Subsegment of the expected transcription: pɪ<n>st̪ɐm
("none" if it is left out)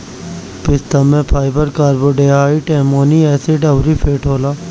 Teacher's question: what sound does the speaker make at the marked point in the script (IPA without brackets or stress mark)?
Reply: none